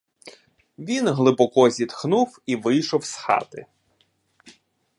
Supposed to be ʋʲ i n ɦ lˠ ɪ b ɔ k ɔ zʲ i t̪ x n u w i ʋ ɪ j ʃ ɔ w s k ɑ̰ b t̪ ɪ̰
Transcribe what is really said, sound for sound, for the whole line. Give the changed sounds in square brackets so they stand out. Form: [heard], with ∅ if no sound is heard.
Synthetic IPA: ʋʲ i n ɦ lˠ ɪ b ɔ k ɔ zʲ i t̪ x n u w i ʋ ɪ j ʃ ɔ w s [x] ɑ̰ [∅] t̪ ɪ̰